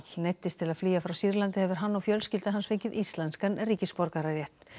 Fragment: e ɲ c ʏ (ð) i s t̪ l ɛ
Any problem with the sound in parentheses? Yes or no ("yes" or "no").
no